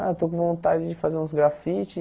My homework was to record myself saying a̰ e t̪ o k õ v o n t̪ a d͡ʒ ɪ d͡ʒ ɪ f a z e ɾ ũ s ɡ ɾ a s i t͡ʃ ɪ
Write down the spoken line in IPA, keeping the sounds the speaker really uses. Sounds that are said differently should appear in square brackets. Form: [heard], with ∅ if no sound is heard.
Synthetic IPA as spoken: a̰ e t̪ o k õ v [õ] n t̪ a d͡ʒ ɪ d͡ʒ ɪ f a z e ɾ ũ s ɡ ɾ a [f] i t͡ʃ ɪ